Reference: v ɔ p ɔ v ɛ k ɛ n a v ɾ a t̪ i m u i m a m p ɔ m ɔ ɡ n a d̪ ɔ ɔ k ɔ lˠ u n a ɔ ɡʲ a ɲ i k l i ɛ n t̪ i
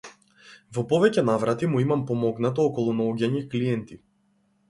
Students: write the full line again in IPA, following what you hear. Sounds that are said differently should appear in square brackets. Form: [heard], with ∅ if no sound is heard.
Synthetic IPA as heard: v ɔ p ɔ v ɛ [c] ɛ n a v ɾ a t̪ i m u i m a m p ɔ m ɔ ɡ n a [t̪] ɔ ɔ k ɔ lˠ u n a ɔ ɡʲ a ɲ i k l i ɛ n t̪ i